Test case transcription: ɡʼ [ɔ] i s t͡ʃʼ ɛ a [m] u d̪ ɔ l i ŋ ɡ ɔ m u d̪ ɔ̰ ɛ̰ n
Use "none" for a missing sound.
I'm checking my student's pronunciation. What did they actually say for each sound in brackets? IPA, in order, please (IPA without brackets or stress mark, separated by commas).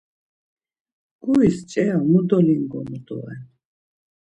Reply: u, m